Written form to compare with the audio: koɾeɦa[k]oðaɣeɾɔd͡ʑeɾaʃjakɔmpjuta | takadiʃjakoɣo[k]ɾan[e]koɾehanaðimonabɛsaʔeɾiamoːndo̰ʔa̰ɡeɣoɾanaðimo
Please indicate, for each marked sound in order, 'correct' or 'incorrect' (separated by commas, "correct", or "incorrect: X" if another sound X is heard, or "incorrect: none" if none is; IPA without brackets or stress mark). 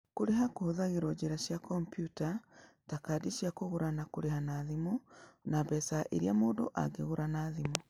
correct, incorrect: none, incorrect: a